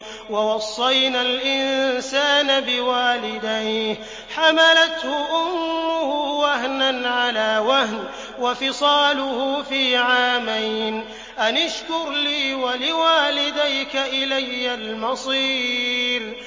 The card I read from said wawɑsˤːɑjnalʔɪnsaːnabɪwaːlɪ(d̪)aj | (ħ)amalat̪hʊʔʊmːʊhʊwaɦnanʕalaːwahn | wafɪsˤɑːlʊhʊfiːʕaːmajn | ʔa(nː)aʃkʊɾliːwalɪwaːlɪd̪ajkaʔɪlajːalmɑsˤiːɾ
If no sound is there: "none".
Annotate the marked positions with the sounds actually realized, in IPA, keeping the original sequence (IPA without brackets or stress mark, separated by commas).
d̪, ħ, n